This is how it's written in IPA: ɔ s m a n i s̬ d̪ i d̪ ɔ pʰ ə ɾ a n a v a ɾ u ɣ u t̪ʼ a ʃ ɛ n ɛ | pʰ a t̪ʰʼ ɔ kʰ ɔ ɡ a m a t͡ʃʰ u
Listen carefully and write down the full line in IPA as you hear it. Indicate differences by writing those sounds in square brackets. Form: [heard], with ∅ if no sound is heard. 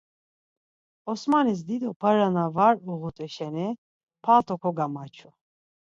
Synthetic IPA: ɔ s m a n i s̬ d̪ i d̪ ɔ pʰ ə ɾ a n a v a ɾ u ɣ u t̪ʼ [ɛ] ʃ ɛ n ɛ | pʰ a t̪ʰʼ ɔ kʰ ɔ ɡ a m a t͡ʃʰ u